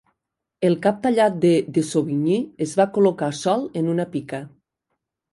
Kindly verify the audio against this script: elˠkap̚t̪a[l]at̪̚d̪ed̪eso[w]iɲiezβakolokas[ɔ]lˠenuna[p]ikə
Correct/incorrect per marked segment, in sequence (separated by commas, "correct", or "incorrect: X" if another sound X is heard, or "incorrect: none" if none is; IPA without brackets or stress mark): incorrect: ʎ, incorrect: β, correct, correct